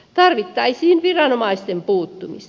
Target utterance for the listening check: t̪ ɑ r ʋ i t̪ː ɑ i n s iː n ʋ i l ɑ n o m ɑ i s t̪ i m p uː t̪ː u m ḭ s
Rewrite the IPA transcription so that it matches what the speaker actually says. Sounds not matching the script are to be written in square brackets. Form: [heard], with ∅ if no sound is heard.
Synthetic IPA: t̪ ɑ r ʋ i t̪ː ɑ i [∅] s iː n ʋ i [r] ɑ n o m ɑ i s t̪ [e] m p uː t̪ː u m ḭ s